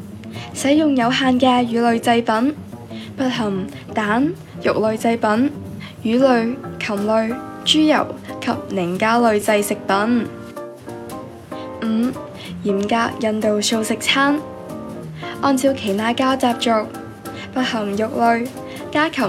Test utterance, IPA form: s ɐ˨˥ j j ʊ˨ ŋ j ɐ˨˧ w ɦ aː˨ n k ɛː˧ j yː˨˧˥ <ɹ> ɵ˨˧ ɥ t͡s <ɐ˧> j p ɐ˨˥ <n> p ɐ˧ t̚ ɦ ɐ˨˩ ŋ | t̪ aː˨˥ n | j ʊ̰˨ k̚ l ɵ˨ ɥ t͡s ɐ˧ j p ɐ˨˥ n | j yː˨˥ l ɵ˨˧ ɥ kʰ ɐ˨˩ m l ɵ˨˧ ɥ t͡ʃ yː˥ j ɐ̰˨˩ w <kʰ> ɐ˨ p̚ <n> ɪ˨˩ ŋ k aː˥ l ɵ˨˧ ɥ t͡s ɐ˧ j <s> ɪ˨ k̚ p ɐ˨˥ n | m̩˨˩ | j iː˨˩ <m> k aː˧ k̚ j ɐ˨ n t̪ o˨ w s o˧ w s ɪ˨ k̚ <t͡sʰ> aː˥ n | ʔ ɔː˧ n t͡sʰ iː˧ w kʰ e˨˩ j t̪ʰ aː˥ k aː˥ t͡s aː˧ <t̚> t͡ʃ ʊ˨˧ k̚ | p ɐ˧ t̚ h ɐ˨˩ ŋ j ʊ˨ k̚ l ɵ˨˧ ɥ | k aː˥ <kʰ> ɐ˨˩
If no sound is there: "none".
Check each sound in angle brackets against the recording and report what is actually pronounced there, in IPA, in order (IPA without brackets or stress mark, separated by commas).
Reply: l, ɐ˧, n, kʰ, n, s, m, t͡sʰ, p̚, kʰ